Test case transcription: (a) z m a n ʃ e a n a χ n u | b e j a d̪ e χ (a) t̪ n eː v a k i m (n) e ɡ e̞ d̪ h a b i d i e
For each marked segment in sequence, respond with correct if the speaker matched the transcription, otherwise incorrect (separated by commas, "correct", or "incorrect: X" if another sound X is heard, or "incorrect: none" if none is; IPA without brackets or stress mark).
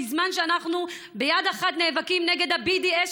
incorrect: i, correct, correct